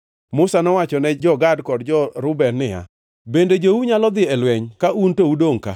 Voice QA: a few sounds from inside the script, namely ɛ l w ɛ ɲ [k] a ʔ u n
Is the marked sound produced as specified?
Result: yes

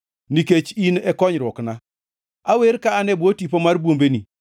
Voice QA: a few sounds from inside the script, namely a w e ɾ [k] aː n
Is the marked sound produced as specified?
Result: yes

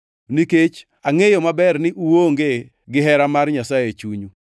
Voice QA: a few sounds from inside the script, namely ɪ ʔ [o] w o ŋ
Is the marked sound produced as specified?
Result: no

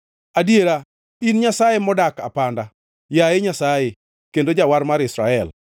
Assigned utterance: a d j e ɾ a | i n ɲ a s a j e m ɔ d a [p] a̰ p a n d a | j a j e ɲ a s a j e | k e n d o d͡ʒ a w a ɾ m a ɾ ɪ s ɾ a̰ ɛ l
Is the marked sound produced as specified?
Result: no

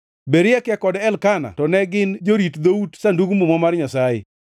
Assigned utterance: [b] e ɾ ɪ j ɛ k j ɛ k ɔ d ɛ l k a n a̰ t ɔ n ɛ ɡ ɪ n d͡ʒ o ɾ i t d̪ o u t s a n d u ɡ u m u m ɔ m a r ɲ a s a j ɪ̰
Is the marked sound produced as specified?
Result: yes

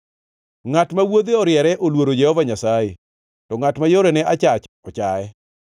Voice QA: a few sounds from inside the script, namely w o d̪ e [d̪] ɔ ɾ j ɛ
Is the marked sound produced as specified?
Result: no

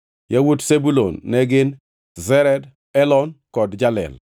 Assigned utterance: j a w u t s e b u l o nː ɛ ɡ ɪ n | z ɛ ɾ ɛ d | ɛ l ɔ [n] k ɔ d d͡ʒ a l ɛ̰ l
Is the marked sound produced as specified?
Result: yes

